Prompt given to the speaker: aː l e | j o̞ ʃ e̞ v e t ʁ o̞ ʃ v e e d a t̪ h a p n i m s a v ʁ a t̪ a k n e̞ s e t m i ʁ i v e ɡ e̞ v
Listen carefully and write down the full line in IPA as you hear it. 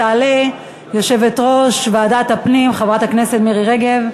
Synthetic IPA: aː l e | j o̞ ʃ e̞ v e t ʁ o̞ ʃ v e a d a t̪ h a p n i m χ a v ʁ a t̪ a k n e̞ s e t m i ʁ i ʁ e ɡ e̞ v